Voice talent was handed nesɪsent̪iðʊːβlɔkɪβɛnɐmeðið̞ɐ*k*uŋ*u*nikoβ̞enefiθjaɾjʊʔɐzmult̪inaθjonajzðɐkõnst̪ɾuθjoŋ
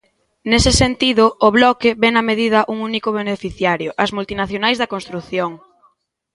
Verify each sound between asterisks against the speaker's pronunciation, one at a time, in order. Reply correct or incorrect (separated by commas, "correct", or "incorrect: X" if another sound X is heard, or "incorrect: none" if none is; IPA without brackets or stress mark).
incorrect: ʔ, correct